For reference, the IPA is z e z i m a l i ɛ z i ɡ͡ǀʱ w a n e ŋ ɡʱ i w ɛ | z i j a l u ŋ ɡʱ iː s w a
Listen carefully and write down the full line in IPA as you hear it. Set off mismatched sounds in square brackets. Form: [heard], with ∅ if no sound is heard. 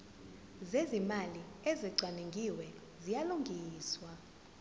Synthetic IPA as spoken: z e z i m a l i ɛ z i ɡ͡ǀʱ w a n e ŋ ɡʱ i w ɛ | z i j a l u ŋ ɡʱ iː s w a